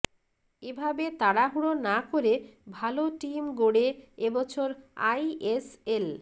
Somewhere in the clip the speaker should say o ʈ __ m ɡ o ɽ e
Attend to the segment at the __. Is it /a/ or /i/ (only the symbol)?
i